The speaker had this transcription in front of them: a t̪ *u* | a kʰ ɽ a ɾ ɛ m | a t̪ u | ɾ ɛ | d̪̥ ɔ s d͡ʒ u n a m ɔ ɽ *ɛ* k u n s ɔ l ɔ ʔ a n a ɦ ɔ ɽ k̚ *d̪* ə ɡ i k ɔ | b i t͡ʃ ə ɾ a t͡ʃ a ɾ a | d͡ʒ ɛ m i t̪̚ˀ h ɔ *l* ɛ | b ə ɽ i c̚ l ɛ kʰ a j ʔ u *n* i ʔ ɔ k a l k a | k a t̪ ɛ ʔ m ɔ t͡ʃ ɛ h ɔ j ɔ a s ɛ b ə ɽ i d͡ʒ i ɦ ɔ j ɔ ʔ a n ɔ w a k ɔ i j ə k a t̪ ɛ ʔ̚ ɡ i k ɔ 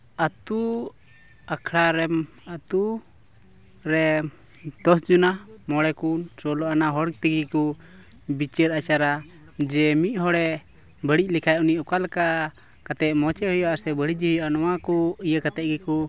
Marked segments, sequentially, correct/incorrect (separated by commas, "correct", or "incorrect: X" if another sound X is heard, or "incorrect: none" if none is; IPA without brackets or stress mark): correct, correct, incorrect: t̪, incorrect: ɽ, correct